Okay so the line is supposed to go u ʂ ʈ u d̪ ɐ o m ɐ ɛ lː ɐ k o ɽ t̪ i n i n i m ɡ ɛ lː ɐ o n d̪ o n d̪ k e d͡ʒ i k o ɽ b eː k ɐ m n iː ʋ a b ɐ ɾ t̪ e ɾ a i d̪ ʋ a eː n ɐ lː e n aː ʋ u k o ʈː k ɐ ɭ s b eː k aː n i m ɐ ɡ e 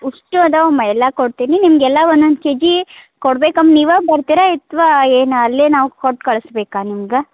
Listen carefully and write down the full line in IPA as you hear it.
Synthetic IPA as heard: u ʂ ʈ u d̪ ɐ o m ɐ ɛ lː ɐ k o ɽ t̪ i n i n i m ɡ ɛ lː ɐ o n d̪ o n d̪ k e d͡ʒ i k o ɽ b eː k ɐ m n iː ʋ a b ɐ ɾ t̪ i ɾ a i t̪ ʋ a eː n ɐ lː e n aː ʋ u k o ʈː k ɐ ɭ s b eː k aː n i m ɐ ɡ e